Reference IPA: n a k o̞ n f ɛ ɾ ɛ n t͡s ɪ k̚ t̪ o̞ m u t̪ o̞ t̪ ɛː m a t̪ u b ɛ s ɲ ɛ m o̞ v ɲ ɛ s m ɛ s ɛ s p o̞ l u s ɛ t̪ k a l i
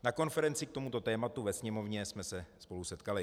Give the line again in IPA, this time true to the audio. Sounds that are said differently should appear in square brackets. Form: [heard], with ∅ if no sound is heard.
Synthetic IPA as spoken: n a k o̞ n f ɛ ɾ ɛ n t͡s ɪ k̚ t̪ o̞ m u t̪ o̞ t̪ ɛː m a t̪ u [v] ɛ s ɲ ɛ m o̞ v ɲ ɛ s m ɛ s ɛ s p o̞ l u s ɛ t̪ k a l [ɪ]